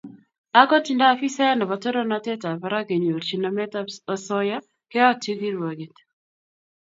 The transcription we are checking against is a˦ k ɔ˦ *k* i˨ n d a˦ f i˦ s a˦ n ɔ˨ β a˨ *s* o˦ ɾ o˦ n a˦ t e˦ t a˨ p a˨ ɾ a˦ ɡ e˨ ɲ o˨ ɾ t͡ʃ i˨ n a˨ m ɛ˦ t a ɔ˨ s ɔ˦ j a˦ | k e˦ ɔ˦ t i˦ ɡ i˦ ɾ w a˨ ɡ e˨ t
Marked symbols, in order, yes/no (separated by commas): no, no